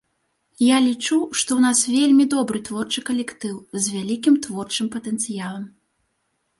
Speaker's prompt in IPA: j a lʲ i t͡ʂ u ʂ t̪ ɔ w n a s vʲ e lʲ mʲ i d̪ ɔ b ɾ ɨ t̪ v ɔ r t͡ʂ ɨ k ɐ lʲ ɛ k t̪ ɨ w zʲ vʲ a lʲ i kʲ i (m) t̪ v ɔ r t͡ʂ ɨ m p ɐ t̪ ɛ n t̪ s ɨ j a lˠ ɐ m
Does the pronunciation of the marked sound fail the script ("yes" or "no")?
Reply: no